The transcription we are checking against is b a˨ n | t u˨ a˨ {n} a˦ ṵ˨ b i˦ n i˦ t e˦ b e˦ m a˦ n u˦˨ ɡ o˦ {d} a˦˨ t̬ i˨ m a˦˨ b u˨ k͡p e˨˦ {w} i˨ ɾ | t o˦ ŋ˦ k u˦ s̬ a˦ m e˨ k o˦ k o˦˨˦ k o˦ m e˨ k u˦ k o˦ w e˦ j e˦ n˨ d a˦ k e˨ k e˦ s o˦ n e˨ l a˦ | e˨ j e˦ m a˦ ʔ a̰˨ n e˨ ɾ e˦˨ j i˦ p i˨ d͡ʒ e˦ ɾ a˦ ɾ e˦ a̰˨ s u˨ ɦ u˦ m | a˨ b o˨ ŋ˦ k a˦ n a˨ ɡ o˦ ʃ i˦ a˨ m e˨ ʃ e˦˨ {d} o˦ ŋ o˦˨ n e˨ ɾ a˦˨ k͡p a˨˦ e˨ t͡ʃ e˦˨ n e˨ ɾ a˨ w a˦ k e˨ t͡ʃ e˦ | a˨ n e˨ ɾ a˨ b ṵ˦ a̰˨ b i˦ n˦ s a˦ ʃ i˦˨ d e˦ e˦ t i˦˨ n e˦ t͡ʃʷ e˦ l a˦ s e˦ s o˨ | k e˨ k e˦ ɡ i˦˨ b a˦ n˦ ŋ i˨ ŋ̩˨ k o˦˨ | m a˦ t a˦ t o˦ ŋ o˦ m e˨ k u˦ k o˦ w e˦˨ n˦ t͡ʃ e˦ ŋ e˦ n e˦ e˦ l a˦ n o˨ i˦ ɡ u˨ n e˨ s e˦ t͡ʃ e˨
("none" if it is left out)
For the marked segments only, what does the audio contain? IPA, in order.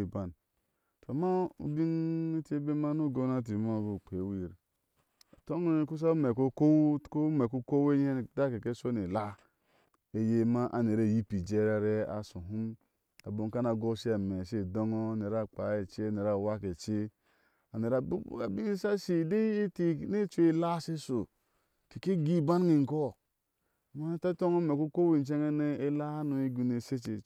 m, n, w, d

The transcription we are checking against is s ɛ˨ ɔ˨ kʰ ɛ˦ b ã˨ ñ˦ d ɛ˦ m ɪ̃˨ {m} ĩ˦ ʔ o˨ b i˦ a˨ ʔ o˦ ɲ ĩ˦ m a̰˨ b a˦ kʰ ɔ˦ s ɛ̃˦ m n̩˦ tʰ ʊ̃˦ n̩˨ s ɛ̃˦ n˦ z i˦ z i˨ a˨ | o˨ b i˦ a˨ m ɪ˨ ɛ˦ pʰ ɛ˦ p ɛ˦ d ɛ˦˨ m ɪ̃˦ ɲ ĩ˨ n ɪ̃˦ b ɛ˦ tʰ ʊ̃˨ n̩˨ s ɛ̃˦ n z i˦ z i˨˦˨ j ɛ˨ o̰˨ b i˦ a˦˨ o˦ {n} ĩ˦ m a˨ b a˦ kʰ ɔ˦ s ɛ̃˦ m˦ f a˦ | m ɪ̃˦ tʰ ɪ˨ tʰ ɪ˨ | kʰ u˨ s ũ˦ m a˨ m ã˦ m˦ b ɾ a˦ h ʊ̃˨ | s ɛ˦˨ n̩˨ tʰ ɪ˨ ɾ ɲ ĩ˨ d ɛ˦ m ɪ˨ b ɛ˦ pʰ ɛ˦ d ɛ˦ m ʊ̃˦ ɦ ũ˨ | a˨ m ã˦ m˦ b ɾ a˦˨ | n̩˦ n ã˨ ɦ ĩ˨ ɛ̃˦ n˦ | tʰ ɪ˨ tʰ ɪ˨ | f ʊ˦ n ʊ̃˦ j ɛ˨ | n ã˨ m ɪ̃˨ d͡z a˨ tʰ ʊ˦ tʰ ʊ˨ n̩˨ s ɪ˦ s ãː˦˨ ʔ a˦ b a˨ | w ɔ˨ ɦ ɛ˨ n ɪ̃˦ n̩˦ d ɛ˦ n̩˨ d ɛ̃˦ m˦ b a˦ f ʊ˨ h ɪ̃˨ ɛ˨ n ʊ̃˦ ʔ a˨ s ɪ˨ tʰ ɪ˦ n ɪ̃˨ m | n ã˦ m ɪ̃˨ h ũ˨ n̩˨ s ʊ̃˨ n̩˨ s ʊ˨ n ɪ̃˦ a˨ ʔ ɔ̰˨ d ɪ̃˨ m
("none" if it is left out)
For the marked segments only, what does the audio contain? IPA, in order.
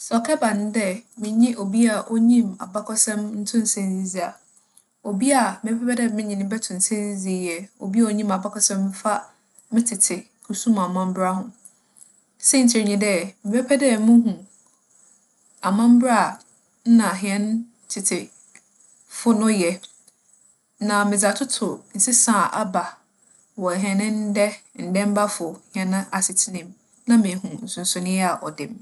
ɲ, ɲ

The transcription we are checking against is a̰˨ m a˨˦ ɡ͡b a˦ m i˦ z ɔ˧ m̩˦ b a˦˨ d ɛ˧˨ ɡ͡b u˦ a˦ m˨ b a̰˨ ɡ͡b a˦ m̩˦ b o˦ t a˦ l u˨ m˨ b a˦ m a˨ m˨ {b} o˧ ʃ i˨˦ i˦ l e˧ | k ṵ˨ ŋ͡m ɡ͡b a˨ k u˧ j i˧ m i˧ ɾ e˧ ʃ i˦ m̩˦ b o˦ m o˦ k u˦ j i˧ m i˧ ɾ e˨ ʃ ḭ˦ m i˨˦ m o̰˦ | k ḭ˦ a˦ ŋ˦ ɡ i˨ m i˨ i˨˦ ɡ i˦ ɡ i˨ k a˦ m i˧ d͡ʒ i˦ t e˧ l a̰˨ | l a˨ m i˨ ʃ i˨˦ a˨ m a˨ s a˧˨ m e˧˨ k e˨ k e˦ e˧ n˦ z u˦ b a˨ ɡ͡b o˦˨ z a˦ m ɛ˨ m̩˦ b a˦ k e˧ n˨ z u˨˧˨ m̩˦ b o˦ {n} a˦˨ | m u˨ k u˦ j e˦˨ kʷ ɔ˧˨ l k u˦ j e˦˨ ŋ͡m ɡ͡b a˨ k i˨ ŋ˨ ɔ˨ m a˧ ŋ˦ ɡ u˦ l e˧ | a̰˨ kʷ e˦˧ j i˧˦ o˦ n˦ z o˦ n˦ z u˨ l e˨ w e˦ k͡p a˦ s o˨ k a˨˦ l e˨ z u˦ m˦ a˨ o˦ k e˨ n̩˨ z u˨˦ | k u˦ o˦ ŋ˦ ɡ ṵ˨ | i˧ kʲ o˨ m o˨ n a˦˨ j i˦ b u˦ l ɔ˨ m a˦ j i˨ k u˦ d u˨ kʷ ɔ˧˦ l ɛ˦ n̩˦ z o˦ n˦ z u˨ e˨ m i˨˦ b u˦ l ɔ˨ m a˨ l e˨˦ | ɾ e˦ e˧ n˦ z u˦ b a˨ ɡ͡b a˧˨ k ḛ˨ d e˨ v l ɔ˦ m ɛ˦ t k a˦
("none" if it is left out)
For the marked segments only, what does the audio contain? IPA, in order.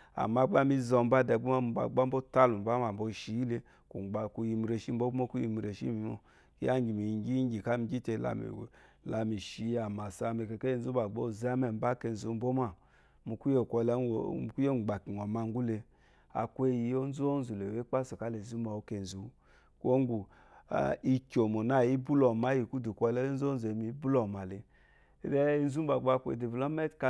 b, m

